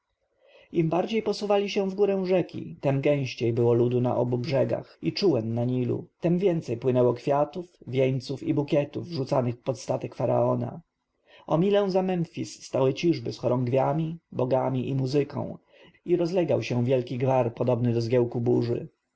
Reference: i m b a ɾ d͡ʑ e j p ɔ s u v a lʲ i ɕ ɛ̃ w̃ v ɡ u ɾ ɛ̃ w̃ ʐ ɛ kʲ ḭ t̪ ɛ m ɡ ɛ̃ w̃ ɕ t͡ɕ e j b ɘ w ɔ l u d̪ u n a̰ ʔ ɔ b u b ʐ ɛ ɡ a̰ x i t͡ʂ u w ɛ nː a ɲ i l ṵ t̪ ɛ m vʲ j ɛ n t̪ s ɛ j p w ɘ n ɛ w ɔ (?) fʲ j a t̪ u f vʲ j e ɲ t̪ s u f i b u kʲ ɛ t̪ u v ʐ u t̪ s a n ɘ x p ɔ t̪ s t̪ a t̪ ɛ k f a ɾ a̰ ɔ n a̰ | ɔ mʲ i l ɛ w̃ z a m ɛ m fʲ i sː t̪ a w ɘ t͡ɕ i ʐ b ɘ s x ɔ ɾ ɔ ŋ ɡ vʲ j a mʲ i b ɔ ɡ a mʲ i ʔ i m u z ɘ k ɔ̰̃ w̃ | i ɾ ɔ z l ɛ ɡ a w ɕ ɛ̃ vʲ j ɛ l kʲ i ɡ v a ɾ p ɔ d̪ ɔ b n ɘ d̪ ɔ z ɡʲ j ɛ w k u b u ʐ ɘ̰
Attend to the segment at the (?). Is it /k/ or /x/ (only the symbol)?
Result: k